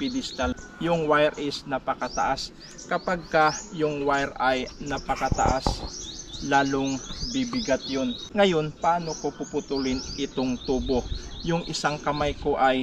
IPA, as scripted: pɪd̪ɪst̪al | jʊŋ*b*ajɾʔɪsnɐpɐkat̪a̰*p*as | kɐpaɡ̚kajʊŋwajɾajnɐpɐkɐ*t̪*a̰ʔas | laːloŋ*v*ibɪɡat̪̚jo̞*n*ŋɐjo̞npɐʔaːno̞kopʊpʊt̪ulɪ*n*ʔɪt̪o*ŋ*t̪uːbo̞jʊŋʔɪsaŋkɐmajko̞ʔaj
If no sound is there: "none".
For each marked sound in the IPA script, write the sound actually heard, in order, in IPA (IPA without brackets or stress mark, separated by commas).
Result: w, ʔ, t̪, b, n, n, ŋ